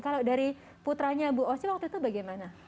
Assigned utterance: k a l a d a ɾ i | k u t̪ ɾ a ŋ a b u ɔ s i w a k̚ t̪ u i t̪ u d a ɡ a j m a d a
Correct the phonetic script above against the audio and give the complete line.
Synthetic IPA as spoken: k a l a d a ɾ i | p u t̪ ɾ a ɲ a b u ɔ s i w a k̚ t̪ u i t̪ u b a ɡ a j m a n a